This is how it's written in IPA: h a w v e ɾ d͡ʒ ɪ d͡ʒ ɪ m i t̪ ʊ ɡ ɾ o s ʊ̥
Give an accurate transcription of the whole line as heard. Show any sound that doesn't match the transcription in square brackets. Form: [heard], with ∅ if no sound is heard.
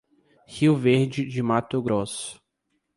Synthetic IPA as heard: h [i] w v e ɾ d͡ʒ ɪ d͡ʒ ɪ m [a] t̪ ʊ ɡ ɾ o s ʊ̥